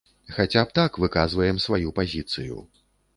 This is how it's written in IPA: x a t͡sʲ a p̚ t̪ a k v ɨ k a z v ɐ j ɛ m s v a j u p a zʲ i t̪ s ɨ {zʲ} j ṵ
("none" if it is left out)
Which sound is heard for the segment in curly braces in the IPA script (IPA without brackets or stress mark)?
none